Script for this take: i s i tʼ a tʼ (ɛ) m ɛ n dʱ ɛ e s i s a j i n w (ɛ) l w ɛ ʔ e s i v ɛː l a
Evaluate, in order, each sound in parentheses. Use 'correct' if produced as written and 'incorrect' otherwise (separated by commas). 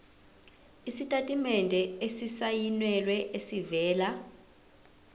incorrect, correct